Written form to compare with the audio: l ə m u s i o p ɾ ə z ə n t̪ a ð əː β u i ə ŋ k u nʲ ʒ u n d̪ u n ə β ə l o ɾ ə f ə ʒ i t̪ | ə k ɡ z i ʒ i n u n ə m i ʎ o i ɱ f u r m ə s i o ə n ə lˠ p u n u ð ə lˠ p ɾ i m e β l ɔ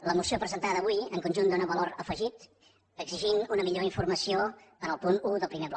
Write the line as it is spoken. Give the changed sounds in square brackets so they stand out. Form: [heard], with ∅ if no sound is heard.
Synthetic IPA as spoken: l ə m u s i o p ɾ ə z ə n t̪ a ð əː β u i ə ŋ k u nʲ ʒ u n d̪ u n ə β ə l o ɾ ə f ə ʒ i t̪ | ə [∅] ɡ z i ʒ i n u n ə m i ʎ o i ɱ f u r m ə s i o ə n ə lˠ p u n u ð ə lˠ p ɾ i m e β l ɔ